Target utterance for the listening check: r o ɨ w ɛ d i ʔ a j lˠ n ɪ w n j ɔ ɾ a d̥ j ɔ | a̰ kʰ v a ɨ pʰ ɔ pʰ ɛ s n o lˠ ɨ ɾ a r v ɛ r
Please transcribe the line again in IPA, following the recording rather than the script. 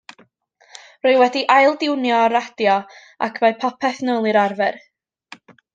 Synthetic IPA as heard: r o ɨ w ɛ d i ʔ a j lˠ d ɪ w n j ɔ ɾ a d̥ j ɔ | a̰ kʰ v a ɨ pʰ ɔ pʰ ɛ θ n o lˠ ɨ ɾ a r v ɛ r